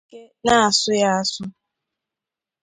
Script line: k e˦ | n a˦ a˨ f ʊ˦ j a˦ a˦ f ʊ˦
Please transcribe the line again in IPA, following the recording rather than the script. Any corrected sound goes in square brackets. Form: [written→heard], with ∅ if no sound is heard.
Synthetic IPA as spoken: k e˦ | n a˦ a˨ [f→s] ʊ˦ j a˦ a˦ [f→s] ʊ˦